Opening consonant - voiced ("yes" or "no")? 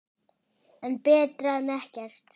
yes